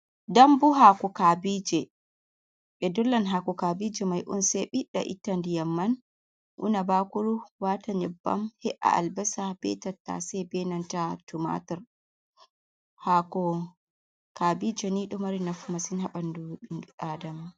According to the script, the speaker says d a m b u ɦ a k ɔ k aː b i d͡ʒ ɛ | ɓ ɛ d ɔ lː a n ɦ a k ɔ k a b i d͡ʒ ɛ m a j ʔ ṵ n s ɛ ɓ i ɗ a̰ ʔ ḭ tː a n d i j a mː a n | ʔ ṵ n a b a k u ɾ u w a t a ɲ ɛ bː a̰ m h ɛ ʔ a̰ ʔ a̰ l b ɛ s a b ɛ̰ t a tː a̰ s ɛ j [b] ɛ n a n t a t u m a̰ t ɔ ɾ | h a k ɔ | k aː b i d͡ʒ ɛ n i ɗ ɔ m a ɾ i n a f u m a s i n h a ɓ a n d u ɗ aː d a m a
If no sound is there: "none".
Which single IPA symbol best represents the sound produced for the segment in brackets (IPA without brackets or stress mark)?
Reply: b